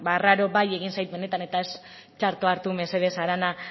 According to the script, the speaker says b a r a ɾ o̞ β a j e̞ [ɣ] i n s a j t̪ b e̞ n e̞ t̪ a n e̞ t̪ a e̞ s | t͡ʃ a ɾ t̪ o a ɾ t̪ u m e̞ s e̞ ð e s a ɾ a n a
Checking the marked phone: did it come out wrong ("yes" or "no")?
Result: no